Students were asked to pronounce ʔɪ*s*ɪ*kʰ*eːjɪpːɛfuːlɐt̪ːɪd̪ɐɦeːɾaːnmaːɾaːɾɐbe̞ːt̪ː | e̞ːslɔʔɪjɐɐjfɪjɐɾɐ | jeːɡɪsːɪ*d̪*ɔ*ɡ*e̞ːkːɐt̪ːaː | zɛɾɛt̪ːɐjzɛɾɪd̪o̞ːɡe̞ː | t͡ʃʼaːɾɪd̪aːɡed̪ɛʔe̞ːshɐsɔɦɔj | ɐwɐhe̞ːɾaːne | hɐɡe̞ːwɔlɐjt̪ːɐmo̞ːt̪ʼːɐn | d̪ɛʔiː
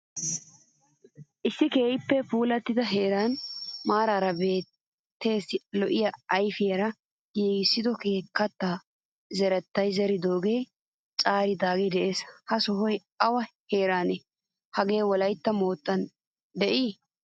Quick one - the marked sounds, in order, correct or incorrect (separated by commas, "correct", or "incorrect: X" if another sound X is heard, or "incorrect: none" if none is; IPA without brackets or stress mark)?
incorrect: sː, incorrect: k, correct, incorrect: k